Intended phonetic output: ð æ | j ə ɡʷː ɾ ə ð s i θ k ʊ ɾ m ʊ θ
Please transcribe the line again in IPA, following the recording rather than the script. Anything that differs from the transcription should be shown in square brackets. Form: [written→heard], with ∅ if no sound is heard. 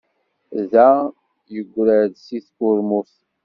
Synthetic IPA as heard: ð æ | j ə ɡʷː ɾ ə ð s i θ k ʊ ɾ m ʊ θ